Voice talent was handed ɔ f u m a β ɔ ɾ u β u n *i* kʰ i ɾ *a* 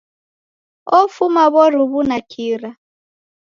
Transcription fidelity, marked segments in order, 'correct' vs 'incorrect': incorrect, correct

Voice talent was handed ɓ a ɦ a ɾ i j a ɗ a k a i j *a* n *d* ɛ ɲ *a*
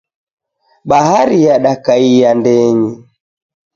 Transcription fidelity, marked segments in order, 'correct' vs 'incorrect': correct, correct, incorrect

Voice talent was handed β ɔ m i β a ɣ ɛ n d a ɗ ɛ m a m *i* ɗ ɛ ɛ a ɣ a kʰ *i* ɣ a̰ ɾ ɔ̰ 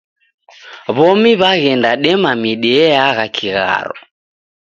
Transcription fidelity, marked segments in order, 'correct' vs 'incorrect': correct, correct

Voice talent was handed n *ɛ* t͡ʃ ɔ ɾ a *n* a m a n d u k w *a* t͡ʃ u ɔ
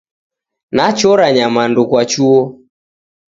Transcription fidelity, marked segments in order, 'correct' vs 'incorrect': incorrect, incorrect, correct

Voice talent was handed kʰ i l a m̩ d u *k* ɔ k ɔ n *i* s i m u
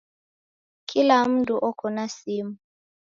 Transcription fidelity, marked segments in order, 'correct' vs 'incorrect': incorrect, incorrect

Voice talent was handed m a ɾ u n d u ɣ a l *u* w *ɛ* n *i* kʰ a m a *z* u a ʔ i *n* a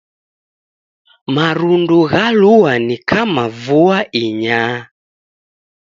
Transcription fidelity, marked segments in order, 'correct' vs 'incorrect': correct, incorrect, correct, incorrect, incorrect

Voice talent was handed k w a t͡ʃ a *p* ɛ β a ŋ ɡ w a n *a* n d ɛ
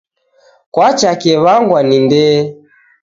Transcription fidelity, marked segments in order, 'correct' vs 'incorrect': incorrect, incorrect

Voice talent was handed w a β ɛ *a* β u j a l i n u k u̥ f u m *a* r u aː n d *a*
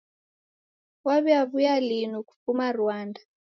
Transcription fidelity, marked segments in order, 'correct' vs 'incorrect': correct, correct, correct

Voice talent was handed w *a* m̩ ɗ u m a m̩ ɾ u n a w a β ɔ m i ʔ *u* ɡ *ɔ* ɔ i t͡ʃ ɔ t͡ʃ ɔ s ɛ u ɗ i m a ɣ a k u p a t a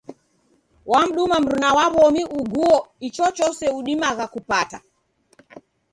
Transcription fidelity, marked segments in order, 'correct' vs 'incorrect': correct, correct, incorrect

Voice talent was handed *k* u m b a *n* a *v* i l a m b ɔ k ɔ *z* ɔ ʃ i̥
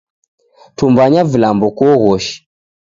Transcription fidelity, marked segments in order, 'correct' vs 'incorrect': incorrect, incorrect, correct, incorrect

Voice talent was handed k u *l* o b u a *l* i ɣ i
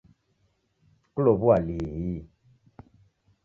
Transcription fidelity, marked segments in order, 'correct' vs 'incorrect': correct, correct

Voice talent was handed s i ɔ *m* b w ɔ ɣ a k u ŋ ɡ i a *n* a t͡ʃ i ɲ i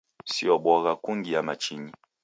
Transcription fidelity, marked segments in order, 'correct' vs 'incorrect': incorrect, incorrect

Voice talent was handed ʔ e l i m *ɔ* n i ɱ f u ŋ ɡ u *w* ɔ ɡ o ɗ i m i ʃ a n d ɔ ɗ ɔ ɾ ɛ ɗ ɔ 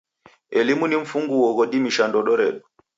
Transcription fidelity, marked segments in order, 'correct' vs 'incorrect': incorrect, correct

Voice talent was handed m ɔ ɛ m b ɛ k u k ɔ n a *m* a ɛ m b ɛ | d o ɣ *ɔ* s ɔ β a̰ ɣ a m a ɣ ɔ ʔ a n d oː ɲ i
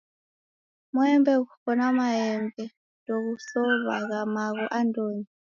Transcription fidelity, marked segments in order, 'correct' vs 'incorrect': correct, incorrect

